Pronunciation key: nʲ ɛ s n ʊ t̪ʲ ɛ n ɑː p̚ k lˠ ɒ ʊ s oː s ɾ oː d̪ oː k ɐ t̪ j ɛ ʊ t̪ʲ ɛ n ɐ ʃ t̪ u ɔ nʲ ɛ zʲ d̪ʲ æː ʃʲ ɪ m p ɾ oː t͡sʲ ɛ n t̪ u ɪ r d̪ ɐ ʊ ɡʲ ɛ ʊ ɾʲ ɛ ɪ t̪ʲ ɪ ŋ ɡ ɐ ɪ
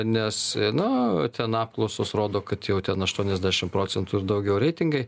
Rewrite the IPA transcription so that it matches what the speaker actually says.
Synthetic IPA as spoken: nʲ ɛ s n ʊ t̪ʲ ɛ n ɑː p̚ k lˠ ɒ ʊ s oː s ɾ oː d̪ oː k ɐ t̪ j ɛ ʊ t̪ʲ ɛ n ɐ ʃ t̪ u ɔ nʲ ɛ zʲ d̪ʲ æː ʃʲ ɪ m p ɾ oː t͡sʲ ɛ n t̪ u ɪ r d̪ ɐ ʊ ɡʲ ɛ ʊ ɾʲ ɛ ɪ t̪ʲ ɪ ŋ ɡ ɐ ɪ